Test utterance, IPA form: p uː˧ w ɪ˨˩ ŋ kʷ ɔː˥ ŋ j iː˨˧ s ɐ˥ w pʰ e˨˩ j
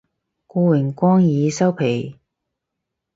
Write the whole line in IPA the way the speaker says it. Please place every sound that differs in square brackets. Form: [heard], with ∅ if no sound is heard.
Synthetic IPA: [k] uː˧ w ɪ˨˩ ŋ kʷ ɔː˥ ŋ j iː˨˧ s ɐ˥ w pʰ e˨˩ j